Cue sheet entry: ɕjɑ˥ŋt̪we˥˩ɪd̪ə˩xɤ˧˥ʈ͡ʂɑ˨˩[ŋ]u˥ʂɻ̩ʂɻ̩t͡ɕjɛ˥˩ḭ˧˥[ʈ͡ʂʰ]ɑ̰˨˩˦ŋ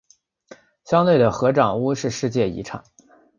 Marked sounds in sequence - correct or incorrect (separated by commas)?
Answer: correct, correct